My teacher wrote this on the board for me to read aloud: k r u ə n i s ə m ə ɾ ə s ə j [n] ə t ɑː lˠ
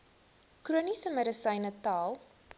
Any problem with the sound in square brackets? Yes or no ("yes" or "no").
no